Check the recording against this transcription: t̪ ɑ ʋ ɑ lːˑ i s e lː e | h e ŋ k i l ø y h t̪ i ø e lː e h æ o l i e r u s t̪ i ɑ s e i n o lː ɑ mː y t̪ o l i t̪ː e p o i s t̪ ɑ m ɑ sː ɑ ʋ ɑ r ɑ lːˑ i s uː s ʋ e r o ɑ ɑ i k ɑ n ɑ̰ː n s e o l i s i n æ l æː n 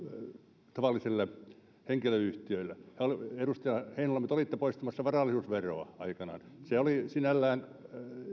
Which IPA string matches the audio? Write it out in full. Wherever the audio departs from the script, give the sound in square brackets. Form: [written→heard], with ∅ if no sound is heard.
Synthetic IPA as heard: t̪ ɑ ʋ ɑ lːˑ i s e lː e | h e ŋ k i l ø y h t̪ i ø [e→i] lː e h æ o l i e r u s t̪ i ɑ [s→h] e i n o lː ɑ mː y t̪ o l i t̪ː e p o i s t̪ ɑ m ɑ sː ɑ ʋ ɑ r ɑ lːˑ i s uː s ʋ e r o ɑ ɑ i k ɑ n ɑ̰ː n s e o l i s i n æ [l→lː] æː n

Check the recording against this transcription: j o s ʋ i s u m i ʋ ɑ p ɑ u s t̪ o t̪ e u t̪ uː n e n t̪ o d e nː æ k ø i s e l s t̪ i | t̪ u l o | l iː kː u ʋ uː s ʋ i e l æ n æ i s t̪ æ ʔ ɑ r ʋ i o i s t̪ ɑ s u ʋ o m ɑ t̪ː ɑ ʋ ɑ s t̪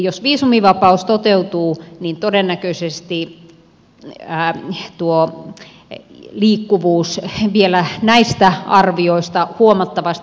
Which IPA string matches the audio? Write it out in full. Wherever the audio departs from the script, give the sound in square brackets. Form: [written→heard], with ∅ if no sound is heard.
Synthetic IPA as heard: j o s ʋ [i→iː] s u m i ʋ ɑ p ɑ u s t̪ o t̪ e u t̪ uː n [e→i] n t̪ o d e nː æ k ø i s e [l→∅] s t̪ i | t̪ u [l→∅] o | l iː kː u ʋ uː s ʋ i e l æ n æ i s t̪ æ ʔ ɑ r ʋ i o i s t̪ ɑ [s→h] u [ʋ→∅] o m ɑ t̪ː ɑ ʋ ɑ s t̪

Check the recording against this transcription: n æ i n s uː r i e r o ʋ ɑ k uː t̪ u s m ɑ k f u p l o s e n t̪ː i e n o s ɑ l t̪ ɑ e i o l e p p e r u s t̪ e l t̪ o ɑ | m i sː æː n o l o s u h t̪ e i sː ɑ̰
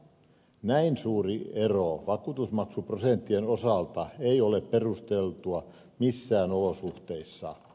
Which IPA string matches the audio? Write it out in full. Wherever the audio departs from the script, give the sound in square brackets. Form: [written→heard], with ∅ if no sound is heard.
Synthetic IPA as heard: n æ i n s uː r i e r o ʋ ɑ k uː t̪ u s m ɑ k [f→s] u p [l→r] o s e n t̪ː i e n o s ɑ l t̪ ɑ e i o l e p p e r u s t̪ e l t̪ [o→u] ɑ | m i sː æː n o l o s u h t̪ e i sː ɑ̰

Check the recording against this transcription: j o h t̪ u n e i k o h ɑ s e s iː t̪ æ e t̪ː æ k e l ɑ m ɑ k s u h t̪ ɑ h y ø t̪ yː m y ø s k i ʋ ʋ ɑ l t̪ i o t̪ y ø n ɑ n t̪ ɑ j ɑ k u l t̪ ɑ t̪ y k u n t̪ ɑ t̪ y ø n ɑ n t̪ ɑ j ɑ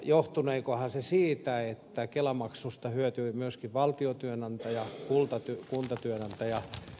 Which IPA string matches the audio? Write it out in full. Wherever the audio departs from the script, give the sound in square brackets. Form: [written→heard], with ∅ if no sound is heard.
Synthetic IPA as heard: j o h t̪ u n e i k o h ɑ s e s iː t̪ æ e t̪ː æ k e l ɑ m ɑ k s u [h→s] t̪ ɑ h y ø t̪ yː m y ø s k i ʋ ʋ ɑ l t̪ i o t̪ y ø n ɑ n t̪ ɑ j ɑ k u l t̪ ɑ t̪ y k u n t̪ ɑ t̪ y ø n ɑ n t̪ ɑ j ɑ

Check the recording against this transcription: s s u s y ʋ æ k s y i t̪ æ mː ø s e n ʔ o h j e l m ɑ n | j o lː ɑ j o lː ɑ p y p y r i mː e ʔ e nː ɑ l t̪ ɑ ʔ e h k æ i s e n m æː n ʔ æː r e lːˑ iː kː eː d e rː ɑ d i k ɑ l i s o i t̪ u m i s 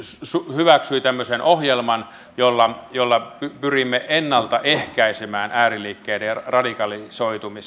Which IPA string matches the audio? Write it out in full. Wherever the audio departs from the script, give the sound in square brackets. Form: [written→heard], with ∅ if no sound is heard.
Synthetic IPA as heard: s s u [s→h] y ʋ æ k s y i t̪ æ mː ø s e n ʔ o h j e l m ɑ n | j o lː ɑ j o lː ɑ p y p y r i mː e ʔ e nː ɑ l t̪ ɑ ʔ e h k æ i s e [n→∅] m æː n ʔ æː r [e→i] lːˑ iː kː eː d e [rː→r] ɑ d i k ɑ l i s o i t̪ u m i s

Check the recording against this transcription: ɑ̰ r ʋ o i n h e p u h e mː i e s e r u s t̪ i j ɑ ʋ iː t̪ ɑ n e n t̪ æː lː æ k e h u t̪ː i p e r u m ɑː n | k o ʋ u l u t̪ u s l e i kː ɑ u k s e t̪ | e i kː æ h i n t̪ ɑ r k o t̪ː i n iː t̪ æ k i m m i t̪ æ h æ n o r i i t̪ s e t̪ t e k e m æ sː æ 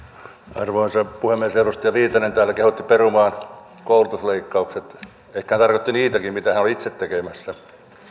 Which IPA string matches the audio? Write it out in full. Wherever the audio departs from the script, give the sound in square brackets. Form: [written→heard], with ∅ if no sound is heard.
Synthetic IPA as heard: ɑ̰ r ʋ o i n [h→s] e p u h e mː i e s e r u s t̪ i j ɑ ʋ iː t̪ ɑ n e n t̪ æː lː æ k e h u t̪ː i p e r u m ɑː n | k o [ʋ→∅] u l u t̪ u s l e i kː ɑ u k s e t̪ | e i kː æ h [i→æ] n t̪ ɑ r k o t̪ː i n iː t̪ æ k i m m i t̪ æ h æ n o [r→l] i i t̪ s e t̪ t e k e m æ sː æ

